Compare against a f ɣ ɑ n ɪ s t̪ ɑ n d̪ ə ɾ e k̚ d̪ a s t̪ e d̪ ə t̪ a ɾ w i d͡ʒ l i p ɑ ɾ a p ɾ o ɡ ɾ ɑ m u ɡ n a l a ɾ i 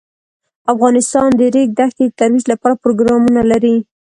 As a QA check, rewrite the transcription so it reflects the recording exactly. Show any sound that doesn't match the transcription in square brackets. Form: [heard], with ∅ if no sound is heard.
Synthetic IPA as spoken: a f ɣ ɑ n ɪ s t̪ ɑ n d̪ ə ɾ e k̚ d̪ a [x] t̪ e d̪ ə t̪ a ɾ w i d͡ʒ l [a] p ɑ ɾ a p ɾ o ɡ ɾ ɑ m u [∅] n a l a ɾ i